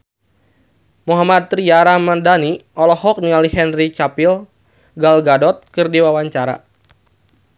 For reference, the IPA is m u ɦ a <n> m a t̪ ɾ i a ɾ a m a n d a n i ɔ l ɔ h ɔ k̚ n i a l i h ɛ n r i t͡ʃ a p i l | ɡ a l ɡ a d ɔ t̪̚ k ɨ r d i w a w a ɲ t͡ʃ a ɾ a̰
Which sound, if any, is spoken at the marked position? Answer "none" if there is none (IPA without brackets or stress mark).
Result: none